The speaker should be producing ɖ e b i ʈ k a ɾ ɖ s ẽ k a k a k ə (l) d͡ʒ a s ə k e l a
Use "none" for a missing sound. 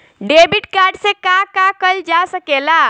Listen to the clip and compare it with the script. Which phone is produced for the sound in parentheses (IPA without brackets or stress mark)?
l